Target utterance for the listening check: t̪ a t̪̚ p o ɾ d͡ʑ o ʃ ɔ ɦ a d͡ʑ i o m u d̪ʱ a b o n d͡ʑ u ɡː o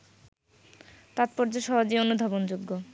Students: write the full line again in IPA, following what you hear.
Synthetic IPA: t̪ a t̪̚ p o ɾ d͡ʑ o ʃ ɔ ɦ a d͡ʑ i o n u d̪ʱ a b o n d͡ʑ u ɡː o